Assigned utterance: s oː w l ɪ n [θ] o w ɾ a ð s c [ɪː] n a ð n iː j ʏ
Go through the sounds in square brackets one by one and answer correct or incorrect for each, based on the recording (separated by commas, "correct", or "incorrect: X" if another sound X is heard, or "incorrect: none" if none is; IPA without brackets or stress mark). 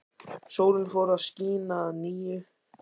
incorrect: f, incorrect: iː